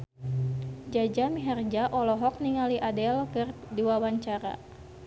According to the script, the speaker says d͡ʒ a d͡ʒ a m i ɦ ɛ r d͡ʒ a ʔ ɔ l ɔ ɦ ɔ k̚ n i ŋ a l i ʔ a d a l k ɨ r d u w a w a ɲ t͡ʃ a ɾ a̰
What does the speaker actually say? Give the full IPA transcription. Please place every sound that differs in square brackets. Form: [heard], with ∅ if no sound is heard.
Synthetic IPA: d͡ʒ a d͡ʒ a m i ɦ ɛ r d͡ʒ a ʔ ɔ l ɔ ɦ ɔ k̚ n i ŋ a l i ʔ a d [ɛ] l k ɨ r d u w a w a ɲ t͡ʃ a ɾ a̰

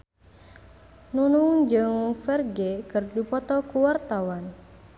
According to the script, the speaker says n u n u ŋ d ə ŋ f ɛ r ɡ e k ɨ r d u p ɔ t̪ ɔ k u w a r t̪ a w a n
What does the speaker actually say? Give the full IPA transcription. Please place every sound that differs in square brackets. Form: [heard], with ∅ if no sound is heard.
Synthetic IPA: n u n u ŋ [d͡ʒ] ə ŋ f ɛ r ɡ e k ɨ r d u p ɔ t̪ ɔ k u w a r t̪ a w a n

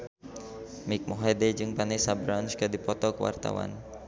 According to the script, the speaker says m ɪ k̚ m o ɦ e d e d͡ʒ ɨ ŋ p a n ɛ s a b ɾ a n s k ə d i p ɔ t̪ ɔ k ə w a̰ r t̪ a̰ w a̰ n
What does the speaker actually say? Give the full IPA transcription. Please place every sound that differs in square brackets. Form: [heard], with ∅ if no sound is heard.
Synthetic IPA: m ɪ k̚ m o ɦ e d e d͡ʒ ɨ ŋ p a n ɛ s a b ɾ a n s k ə d i p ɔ t̪ ɔ k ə w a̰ r t̪ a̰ w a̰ n

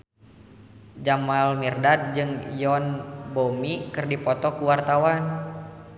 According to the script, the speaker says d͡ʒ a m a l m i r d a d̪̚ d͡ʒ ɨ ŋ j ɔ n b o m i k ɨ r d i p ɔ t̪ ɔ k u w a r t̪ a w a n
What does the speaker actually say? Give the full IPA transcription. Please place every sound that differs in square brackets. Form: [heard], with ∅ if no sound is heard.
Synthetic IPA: d͡ʒ a m a l m i r d a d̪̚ d͡ʒ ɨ ŋ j ɔ n b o m i k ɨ r d i p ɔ t̪ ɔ k u w a r t̪ a w a n

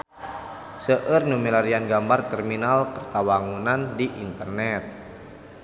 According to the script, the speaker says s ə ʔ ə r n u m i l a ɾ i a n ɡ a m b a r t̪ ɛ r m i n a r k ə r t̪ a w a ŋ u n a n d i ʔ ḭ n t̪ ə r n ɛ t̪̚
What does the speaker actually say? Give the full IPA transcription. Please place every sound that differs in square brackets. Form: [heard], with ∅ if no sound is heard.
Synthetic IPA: s ə ʔ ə r n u m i l a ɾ i a n ɡ a m b a r t̪ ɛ r m i n a [l] k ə r t̪ a w a ŋ u n a n d i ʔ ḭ n t̪ ə r n ɛ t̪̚

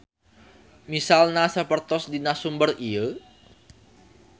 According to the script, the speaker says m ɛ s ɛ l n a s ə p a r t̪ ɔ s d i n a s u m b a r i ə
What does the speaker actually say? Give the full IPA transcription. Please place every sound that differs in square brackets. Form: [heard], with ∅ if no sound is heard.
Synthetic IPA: m [i] s [a] l n a s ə p [ə] r t̪ ɔ s d i n a s u m b [ə] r i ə

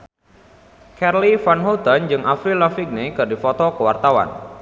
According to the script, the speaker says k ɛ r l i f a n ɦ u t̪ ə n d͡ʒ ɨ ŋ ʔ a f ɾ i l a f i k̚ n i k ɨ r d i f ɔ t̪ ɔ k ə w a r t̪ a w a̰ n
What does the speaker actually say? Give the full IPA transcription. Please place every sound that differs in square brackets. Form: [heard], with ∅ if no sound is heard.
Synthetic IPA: k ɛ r l i f a n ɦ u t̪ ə n d͡ʒ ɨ ŋ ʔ a f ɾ i l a f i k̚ n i k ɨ r d i f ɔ t̪ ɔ k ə w a r t̪ a w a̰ n

